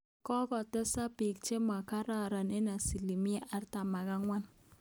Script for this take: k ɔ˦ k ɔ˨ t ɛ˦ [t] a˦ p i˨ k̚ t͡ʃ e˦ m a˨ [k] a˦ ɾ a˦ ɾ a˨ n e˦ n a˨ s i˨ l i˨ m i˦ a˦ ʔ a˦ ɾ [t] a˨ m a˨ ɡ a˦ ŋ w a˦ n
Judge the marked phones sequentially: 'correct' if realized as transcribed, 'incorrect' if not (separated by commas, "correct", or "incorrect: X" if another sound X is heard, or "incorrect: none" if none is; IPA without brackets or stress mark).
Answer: incorrect: s, correct, correct